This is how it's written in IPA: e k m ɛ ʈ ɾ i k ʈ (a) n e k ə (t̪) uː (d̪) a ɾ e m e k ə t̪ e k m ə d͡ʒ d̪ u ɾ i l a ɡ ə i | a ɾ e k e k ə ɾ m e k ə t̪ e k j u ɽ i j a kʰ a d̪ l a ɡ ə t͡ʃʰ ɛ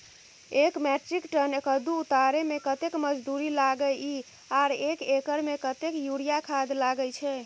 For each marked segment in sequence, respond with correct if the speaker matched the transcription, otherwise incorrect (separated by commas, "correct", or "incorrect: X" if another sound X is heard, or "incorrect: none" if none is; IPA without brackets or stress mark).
incorrect: ə, incorrect: d̪, incorrect: t̪